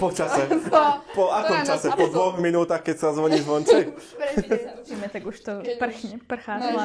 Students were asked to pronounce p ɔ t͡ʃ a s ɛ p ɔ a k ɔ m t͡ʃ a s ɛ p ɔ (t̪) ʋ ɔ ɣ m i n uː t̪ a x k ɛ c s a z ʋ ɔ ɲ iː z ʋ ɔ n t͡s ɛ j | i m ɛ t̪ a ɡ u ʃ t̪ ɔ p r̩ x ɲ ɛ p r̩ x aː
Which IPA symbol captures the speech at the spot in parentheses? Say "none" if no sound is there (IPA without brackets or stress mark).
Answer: d̪